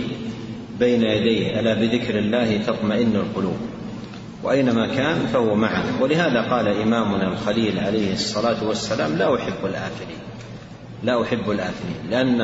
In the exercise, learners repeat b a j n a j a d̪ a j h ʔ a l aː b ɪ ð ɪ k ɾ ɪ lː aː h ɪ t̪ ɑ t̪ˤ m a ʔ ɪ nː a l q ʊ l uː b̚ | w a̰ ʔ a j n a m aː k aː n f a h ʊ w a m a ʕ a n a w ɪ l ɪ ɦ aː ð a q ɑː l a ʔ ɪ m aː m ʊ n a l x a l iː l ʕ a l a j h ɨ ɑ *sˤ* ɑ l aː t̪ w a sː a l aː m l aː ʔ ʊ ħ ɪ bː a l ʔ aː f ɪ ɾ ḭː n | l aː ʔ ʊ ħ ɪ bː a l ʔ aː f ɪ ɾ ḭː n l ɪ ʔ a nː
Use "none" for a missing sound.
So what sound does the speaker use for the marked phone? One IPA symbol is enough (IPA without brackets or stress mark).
sˤː